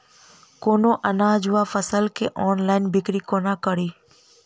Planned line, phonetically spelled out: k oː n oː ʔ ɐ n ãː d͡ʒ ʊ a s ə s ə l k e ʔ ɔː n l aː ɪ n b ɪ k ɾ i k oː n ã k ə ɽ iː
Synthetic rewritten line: k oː n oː ʔ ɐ n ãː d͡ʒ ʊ a f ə s ə l k e ʔ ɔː n l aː ɪ n b ɪ k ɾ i k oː n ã k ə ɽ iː